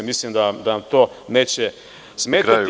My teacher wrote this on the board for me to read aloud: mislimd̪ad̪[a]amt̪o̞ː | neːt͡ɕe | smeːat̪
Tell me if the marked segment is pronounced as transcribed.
yes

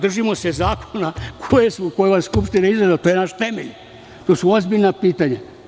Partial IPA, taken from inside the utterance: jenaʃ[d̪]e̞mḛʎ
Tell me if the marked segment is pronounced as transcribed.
no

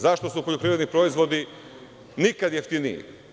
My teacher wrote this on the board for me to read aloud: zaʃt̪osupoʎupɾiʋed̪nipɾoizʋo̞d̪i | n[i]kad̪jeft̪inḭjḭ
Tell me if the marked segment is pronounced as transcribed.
yes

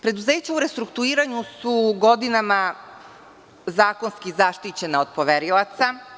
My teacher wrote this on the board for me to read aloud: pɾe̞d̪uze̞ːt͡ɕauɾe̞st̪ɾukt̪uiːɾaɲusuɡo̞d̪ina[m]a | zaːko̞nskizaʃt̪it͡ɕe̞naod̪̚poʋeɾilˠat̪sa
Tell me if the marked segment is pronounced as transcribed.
yes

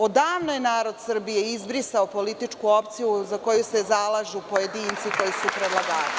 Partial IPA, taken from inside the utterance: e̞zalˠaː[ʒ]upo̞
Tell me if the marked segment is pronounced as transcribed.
yes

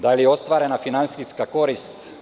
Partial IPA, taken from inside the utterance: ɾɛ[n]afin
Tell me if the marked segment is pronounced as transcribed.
yes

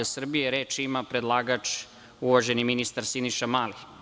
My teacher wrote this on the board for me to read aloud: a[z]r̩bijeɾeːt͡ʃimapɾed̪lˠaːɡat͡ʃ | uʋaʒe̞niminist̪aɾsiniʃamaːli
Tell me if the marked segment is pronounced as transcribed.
no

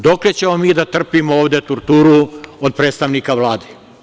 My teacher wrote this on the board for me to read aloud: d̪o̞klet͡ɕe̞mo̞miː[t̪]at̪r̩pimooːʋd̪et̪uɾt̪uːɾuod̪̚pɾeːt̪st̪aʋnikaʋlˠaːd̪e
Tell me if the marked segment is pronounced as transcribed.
no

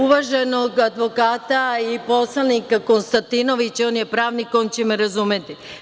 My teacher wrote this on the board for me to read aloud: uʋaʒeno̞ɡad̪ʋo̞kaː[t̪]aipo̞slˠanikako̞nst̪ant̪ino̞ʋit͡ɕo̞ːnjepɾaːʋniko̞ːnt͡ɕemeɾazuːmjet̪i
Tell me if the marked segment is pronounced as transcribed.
yes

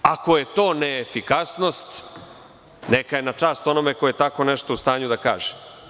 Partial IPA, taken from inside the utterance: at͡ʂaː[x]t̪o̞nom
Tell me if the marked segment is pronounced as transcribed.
no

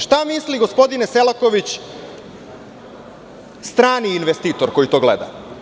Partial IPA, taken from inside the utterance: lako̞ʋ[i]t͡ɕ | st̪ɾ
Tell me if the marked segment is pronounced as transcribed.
yes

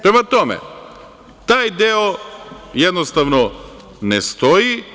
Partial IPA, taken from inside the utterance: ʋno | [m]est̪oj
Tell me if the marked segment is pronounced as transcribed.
no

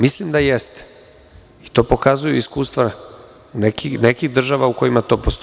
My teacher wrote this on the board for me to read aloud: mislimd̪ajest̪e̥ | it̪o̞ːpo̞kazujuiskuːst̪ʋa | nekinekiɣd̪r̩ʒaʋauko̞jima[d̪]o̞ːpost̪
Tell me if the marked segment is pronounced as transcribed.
no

